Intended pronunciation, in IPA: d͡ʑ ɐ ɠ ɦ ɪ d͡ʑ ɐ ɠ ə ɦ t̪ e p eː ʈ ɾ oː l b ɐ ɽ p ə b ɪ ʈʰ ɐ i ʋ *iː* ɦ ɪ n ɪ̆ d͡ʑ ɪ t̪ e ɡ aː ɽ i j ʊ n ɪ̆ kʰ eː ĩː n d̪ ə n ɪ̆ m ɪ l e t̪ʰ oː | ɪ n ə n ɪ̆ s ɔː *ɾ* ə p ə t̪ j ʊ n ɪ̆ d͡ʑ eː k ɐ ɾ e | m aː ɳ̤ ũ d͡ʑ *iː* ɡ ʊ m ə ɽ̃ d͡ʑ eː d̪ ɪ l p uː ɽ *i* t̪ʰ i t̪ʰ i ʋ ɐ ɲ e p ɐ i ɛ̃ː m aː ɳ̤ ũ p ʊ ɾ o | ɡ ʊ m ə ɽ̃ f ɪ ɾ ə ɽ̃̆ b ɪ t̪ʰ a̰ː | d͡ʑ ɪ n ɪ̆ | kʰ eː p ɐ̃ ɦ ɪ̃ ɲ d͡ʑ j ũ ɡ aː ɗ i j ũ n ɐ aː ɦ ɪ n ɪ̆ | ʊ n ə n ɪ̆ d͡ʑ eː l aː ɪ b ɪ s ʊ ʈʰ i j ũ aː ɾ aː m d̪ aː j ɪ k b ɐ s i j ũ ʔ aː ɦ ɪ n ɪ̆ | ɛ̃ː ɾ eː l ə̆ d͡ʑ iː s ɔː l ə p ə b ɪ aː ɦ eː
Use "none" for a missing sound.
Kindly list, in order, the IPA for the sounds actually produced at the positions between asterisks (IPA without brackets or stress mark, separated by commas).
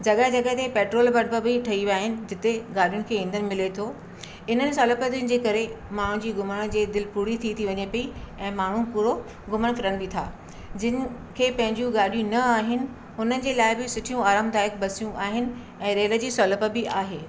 aː, l, iː, i